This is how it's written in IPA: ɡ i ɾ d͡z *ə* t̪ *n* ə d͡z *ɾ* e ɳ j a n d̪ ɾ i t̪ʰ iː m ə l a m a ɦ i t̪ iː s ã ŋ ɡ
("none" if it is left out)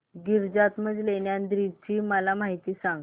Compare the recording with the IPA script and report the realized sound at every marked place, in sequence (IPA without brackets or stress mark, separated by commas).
a, m, l